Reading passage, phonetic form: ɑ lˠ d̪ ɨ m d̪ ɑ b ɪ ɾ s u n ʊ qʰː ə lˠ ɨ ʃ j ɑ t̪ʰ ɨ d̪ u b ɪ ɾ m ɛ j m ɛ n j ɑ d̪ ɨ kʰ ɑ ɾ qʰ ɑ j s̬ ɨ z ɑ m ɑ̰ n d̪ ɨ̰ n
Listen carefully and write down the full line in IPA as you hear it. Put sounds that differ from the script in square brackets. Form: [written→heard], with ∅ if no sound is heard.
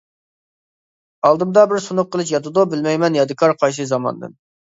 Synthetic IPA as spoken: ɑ lˠ d̪ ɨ m d̪ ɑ b ɪ ɾ s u n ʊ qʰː ə lˠ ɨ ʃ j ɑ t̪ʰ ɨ d̪ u b ɪ [ɾ→l] m ɛ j m ɛ n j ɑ d̪ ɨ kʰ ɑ ɾ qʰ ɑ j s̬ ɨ z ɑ m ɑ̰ n d̪ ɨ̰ n

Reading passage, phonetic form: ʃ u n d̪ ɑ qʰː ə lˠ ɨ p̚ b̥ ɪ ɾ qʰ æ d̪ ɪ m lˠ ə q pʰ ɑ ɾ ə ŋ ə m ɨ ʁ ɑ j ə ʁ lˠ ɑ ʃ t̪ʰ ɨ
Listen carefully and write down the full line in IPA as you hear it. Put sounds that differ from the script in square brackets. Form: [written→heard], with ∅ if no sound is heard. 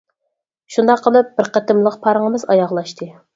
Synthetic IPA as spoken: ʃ u n d̪ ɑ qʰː ə lˠ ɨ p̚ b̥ ɪ ɾ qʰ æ [d̪→t̪] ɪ m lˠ ə q pʰ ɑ ɾ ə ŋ ə m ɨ [ʁ→z] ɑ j [ə→ɑ] ʁ lˠ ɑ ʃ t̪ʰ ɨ

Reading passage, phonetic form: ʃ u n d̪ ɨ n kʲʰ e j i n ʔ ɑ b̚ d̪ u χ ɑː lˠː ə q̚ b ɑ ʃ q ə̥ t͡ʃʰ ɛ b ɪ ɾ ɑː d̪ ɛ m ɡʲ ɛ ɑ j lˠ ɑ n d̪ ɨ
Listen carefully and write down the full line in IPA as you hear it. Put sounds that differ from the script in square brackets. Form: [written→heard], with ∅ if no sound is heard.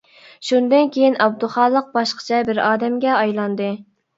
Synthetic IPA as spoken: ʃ u n d̪ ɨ n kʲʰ e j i n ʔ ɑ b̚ d̪ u χ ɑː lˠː ə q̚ b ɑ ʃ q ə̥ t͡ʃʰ ɛ b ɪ ɾ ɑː d̪ ɛ m ɡʲ ɛ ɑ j lˠ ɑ n d̪ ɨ

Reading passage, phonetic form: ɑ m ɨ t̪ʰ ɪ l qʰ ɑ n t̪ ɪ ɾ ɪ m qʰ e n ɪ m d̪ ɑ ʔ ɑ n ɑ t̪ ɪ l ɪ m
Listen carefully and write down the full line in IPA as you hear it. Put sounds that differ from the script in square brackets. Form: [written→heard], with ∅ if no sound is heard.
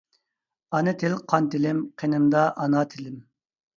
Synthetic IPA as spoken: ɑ [m→n] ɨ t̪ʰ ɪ l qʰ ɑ n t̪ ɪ [ɾ→l] ɪ m qʰ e n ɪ m d̪ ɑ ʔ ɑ n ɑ [t̪→t̪ʰ] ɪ l ɪ m

